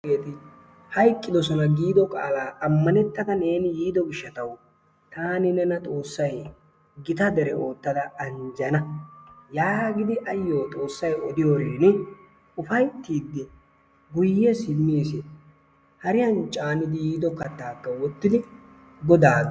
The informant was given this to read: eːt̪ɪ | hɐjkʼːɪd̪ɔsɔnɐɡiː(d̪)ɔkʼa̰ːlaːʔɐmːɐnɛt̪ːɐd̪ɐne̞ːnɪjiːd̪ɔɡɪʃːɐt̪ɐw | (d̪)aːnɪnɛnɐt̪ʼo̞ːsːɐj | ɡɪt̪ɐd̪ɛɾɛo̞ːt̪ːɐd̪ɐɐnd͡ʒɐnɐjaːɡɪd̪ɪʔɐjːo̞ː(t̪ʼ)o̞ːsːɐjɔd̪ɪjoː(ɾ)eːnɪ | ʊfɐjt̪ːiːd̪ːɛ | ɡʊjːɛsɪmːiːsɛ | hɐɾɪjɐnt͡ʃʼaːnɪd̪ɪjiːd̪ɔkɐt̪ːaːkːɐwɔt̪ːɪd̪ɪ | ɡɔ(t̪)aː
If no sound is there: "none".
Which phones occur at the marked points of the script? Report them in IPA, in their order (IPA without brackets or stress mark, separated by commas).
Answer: d̪, t̪, t̪ʼ, ɾ, d̪